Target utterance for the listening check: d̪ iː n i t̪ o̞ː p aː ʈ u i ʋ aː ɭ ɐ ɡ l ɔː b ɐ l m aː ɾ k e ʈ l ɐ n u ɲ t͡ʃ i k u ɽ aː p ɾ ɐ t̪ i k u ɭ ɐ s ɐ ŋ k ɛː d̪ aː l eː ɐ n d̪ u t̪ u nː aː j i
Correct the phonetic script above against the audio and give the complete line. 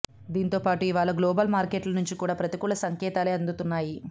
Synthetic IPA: d̪ iː n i t̪ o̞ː p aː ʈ u i ʋ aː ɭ ɐ ɡ l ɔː b ɐ l m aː ɾ k e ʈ l ɐ n u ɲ t͡ʃ i k uː ɽ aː p ɾ ɐ t̪ i k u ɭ ɐ s ɐ ŋ k ɛː t̪ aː l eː ɐ n d̪ u t̪ u nː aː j i